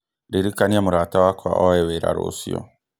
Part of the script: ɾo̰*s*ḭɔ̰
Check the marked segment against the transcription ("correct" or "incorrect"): correct